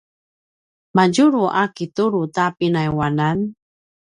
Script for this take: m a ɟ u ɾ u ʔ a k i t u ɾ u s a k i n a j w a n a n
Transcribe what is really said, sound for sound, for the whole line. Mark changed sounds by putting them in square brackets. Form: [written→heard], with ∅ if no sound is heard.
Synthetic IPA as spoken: m a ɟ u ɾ u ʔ a k i t u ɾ u [s→t] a [k→p] i n a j w a n a n